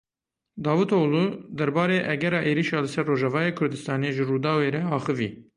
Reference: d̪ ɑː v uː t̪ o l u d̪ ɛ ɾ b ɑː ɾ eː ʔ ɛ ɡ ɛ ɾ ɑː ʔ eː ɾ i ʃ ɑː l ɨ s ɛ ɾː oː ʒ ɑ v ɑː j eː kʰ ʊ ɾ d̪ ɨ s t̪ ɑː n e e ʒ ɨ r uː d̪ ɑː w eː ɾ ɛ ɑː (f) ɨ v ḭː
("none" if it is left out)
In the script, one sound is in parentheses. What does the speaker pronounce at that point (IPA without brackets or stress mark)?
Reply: x